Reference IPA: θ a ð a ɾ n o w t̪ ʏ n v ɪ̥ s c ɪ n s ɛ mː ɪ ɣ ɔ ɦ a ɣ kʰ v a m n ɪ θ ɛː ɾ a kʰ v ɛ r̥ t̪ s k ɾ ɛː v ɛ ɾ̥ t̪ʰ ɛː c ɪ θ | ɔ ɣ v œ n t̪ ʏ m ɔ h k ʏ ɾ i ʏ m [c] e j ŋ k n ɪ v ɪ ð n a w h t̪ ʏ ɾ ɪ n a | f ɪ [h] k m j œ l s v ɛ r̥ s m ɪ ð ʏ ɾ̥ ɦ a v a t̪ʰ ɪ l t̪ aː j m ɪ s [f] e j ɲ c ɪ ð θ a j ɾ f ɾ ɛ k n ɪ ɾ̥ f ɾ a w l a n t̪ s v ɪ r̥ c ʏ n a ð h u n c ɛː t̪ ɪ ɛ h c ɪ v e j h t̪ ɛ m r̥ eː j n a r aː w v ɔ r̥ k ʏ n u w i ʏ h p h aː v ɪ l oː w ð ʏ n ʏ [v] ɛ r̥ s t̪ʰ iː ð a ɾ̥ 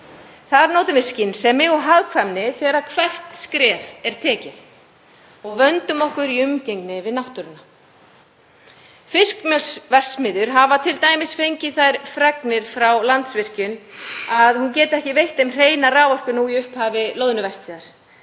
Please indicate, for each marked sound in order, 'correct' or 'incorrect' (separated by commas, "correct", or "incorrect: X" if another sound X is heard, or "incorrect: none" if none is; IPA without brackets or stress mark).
correct, incorrect: s, correct, correct